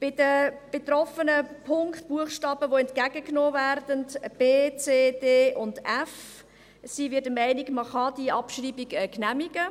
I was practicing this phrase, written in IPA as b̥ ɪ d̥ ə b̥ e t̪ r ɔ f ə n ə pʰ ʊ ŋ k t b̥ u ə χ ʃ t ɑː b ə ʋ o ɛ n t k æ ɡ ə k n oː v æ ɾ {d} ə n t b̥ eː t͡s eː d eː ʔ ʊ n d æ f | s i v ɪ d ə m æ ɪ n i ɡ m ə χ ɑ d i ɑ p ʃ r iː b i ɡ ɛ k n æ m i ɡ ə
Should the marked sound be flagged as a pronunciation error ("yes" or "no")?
no